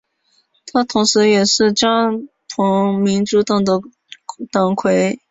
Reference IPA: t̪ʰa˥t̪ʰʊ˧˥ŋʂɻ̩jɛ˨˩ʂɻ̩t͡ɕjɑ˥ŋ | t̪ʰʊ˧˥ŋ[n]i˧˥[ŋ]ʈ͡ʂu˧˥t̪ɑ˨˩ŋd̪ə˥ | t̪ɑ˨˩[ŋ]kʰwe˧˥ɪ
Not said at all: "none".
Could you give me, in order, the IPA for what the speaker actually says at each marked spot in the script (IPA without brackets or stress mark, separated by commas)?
m, n, ŋ